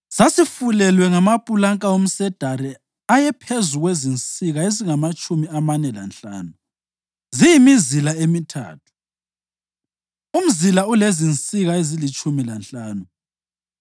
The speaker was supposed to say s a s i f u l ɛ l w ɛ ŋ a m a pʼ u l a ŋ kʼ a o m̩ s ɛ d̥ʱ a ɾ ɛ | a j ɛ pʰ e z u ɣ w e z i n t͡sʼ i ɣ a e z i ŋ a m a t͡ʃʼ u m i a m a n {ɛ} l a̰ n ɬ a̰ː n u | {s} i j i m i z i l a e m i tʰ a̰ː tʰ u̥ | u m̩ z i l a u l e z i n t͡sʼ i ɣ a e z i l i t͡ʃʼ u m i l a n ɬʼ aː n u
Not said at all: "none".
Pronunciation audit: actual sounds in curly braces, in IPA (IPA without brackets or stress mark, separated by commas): ɛ, z